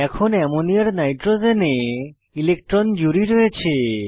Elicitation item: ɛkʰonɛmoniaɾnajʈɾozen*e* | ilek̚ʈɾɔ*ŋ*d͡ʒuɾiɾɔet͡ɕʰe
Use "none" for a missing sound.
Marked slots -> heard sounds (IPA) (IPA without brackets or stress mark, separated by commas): e, n